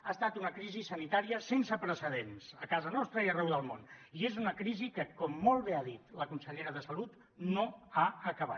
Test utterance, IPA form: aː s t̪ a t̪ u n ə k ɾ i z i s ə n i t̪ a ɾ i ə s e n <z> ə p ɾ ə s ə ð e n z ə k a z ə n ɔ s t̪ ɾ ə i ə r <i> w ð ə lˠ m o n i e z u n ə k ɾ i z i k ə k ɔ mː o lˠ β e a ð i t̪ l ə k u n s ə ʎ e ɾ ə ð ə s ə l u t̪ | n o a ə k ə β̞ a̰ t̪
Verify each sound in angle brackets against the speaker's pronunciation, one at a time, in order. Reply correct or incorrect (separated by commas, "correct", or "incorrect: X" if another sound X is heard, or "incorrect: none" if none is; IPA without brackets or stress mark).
incorrect: s, incorrect: ɛ